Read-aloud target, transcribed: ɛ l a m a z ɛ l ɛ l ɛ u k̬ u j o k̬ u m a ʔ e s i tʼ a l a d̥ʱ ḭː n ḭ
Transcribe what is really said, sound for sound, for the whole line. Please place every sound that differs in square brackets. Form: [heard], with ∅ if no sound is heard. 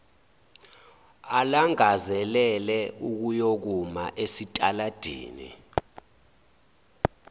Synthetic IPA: [a] l a [ŋ] a z ɛ l ɛ l ɛ u k̬ u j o k̬ u m a ʔ e s i tʼ a l a d̥ʱ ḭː n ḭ